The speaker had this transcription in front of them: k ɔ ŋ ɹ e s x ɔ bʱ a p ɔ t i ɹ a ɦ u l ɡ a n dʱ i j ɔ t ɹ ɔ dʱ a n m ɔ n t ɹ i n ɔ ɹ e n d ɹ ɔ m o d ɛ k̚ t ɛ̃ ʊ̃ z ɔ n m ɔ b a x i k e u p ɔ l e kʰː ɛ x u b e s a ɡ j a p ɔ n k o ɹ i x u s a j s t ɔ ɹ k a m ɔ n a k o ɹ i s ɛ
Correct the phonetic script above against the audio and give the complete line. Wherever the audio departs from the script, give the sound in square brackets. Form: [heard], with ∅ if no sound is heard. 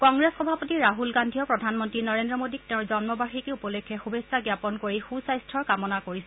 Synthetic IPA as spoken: k ɔ ŋ ɹ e s x ɔ bʱ a p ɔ t i ɹ a ɦ u l ɡ a n dʱ i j ɔ [p] ɹ ɔ dʱ a n m ɔ n t ɹ i n ɔ ɹ e n d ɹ ɔ m o d [i] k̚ t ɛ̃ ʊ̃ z ɔ n m ɔ b a x i k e u p ɔ l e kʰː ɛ x u b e s a ɡ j a p ɔ n k o ɹ i x u s a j s [tʰ] ɔ ɹ k a m ɔ n a k o ɹ i s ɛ